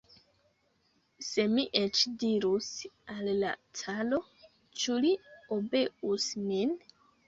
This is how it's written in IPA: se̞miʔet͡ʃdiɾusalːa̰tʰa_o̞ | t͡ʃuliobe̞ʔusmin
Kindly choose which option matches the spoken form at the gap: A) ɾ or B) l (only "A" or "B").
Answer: B